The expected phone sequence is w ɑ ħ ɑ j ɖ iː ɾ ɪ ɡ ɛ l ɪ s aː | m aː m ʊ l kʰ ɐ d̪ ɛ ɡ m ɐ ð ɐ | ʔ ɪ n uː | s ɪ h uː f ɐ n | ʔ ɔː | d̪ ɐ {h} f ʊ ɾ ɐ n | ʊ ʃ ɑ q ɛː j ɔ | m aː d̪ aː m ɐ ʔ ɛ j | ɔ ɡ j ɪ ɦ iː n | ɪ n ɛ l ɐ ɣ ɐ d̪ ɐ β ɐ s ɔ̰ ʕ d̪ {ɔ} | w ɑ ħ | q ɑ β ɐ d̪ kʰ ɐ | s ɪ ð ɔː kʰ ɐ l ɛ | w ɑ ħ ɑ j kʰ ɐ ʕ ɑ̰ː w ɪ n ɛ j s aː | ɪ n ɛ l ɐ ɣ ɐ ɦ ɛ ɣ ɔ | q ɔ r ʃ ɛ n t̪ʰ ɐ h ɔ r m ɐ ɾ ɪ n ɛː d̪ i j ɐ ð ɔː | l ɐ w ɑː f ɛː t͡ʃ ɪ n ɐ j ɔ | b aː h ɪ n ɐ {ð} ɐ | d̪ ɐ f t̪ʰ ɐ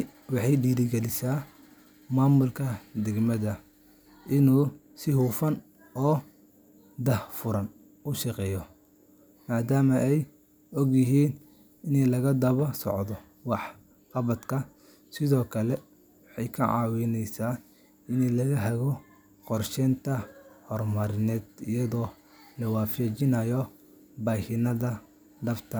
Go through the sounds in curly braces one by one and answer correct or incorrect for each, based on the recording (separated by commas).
correct, correct, correct